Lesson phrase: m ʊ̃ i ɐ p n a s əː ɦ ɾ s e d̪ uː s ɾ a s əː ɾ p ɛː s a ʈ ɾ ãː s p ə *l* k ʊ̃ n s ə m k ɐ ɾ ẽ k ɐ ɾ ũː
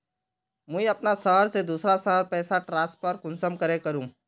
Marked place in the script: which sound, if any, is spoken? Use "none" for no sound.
ɾ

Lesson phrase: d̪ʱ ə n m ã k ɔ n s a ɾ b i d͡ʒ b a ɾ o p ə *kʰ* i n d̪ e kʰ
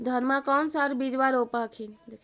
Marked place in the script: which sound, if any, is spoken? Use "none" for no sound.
kʰ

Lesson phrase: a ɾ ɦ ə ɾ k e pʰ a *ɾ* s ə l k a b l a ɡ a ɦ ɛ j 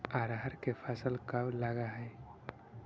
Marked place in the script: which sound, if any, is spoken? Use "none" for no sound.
none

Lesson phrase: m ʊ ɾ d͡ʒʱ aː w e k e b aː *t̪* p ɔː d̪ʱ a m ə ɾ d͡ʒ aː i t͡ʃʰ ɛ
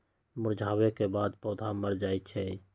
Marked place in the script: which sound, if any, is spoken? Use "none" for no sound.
d̪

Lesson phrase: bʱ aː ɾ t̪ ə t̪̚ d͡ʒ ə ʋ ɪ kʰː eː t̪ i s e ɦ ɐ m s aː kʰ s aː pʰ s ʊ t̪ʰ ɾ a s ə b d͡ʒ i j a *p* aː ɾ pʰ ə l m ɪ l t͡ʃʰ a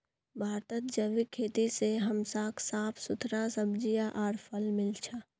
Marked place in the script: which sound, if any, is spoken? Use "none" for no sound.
ʔ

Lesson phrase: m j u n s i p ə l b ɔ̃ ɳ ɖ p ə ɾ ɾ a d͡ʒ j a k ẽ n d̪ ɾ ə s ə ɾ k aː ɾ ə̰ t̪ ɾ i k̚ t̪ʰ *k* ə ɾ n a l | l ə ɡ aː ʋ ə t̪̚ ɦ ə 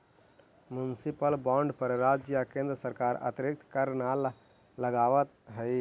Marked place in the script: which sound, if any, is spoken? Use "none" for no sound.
k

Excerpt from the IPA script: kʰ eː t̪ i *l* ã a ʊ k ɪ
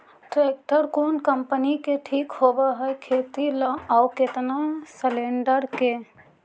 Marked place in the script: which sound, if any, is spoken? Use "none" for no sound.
l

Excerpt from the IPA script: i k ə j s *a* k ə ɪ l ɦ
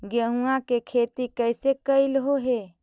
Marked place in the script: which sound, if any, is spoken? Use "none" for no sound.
e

